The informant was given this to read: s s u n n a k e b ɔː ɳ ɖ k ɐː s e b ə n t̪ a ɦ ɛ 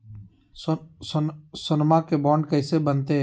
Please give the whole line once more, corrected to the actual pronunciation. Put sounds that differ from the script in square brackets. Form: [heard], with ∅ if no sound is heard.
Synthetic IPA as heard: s s [ʊ] n [m] a k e b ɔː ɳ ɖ k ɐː s e b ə n t̪ [e] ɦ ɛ

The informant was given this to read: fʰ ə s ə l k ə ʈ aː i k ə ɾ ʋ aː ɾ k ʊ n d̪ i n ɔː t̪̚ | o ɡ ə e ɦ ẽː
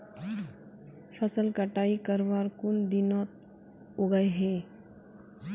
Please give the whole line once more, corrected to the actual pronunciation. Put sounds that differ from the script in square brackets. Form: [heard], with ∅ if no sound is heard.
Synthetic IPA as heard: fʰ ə s ə l k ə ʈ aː i k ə ɾ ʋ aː ɾ k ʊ n d̪ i n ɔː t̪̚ | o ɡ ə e ɦ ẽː

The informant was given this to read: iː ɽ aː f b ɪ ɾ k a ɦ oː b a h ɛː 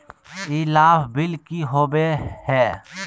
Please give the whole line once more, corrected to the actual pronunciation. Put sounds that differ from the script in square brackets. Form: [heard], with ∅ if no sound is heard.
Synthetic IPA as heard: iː [l] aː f b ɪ [l] k [i] ɦ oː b [e] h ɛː

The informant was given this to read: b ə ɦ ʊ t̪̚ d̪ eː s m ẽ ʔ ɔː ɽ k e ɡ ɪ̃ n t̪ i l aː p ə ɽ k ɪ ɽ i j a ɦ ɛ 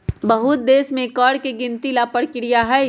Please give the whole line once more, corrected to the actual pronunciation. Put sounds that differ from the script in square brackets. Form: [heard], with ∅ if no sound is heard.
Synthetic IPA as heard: b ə ɦ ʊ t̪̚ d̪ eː s m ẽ [k] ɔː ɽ k e ɡ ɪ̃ n t̪ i l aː p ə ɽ k ɪ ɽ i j a ɦ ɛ

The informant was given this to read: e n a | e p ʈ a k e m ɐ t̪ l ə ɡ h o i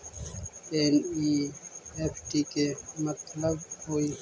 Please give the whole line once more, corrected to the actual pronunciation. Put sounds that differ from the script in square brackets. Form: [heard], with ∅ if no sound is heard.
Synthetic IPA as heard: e n [i] | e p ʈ [i] k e m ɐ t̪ l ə [b] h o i

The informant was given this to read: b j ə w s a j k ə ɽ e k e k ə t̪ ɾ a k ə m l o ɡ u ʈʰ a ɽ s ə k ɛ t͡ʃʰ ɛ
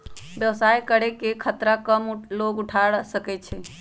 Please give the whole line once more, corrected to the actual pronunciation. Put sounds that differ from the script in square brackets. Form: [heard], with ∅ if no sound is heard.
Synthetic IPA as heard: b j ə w s a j k ə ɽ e k e [kʰ] ə t̪ ɾ a k ə m l o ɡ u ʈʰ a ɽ s ə k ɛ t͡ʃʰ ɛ

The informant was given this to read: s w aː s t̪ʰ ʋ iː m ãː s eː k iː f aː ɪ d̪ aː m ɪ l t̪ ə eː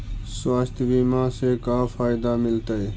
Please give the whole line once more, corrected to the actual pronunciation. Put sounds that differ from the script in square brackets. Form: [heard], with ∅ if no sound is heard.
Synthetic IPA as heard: s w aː s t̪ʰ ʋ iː m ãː s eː k [aː] f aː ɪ d̪ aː m ɪ l t̪ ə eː

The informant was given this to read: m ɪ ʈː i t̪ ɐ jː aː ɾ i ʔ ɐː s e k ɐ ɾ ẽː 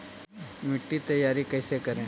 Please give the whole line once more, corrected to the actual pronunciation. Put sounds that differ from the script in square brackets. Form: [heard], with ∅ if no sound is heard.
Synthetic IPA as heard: m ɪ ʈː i t̪ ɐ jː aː ɾ i [k] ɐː s e k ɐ ɾ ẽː

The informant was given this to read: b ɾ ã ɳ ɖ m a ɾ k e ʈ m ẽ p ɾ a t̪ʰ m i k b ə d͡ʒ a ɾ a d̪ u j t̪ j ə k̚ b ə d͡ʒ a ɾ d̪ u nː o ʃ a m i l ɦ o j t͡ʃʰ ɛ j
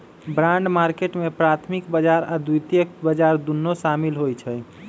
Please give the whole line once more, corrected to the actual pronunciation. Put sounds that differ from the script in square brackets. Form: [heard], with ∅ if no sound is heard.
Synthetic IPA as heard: b ɾ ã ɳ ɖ m a ɾ k e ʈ m [e] p ɾ a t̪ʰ m i k b ə d͡ʒ a ɾ a d̪ u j t̪ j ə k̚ b ə d͡ʒ a ɾ d̪ u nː o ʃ a m i l ɦ o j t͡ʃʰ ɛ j

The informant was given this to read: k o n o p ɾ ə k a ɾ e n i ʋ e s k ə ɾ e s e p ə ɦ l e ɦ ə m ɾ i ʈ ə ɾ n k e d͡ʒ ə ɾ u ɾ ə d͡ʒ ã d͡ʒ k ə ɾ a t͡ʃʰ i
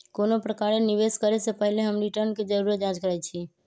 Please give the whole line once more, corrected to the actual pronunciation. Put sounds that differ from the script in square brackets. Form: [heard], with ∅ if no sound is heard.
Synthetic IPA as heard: k o n o p ɾ ə k a ɾ e n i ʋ e s k ə ɾ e s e p ə ɦ l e ɦ ə m ɾ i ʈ ə ɾ n k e d͡ʒ ə ɾ u ɾ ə d͡ʒ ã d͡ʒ k ə ɾ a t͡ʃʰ i

